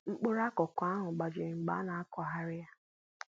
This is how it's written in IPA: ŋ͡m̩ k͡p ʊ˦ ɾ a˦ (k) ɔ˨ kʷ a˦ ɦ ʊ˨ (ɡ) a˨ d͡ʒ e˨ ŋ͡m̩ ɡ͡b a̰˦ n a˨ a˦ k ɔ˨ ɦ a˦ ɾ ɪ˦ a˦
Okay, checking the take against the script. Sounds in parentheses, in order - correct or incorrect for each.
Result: correct, incorrect: ɡ͡b

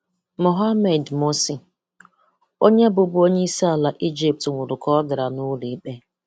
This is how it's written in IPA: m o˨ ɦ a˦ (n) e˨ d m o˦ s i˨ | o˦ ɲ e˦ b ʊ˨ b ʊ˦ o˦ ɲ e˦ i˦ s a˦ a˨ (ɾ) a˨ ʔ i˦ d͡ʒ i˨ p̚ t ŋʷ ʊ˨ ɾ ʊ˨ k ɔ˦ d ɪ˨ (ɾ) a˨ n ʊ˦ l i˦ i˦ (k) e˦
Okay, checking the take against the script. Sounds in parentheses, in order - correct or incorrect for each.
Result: incorrect: m, incorrect: l, correct, incorrect: k͡p

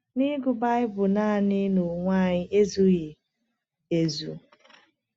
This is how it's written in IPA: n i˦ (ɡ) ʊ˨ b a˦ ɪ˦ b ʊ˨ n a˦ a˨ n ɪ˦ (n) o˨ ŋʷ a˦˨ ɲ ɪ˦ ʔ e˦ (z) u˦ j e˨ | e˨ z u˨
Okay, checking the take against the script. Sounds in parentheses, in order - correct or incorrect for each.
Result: correct, correct, correct

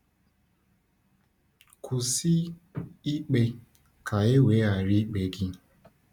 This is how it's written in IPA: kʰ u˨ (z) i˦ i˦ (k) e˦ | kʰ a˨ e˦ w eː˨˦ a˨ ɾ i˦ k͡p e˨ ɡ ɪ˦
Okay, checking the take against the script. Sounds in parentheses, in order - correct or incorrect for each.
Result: incorrect: s, incorrect: k͡p

